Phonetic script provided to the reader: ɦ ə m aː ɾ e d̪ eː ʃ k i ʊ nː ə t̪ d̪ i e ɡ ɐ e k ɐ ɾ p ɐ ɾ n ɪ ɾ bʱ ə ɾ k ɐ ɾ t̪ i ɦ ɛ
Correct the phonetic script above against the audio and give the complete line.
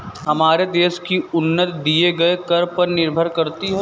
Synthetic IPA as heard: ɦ ɐ m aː ɾ e d̪ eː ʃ k i ʊ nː ə t̪ d̪ i e ɡ ɐ e k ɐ ɾ p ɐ ɾ n ɪ ɾ bʱ ə ɾ k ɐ ɾ t̪ i ɦ ɛ